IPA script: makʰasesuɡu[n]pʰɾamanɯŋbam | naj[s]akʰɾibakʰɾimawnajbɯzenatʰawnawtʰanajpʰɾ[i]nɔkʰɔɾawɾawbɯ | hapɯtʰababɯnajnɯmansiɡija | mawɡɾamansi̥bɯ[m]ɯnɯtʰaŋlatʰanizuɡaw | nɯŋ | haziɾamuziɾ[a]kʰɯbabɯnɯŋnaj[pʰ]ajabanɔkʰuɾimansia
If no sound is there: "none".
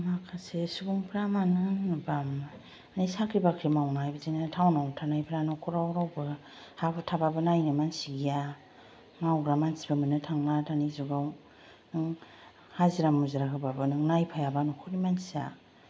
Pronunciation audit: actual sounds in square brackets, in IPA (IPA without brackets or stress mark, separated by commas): ŋ, s, a, m, a, pʰ